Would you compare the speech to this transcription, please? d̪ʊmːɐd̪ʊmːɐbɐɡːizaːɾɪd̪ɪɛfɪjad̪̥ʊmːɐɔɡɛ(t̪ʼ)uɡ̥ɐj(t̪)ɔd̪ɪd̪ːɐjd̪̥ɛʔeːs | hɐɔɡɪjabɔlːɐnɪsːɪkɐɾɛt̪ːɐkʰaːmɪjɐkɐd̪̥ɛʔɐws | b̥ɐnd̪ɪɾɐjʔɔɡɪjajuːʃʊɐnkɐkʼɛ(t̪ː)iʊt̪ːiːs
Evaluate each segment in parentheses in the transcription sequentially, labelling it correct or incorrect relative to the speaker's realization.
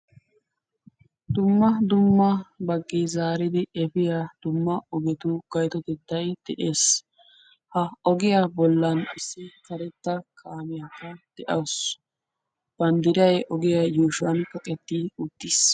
incorrect: t̪, correct, correct

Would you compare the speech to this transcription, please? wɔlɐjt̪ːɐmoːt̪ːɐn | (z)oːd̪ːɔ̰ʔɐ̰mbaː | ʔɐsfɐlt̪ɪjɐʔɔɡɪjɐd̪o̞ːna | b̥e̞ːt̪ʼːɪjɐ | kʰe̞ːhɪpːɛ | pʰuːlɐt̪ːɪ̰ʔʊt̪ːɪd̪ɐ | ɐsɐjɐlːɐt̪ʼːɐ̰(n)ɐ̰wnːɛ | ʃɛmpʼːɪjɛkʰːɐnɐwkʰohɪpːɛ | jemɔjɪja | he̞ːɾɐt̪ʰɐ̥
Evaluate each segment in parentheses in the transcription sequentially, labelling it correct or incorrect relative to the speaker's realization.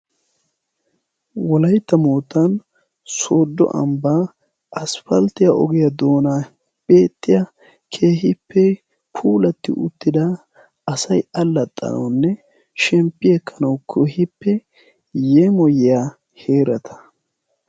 incorrect: s, correct

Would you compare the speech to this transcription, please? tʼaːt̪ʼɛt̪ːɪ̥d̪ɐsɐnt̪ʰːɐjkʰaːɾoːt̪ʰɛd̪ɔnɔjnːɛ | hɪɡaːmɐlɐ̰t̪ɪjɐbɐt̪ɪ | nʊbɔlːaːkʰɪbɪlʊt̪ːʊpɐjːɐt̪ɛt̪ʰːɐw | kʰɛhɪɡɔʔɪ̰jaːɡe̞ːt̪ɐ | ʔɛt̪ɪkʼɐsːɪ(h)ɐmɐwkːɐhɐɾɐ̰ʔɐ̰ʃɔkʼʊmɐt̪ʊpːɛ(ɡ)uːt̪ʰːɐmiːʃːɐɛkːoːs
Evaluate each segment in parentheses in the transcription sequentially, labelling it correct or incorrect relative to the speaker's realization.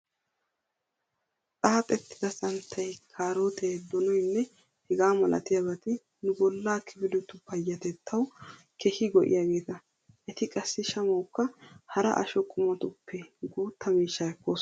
incorrect: ʃ, correct

